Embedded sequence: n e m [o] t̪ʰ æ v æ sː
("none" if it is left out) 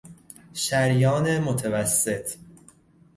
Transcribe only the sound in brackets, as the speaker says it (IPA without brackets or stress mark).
o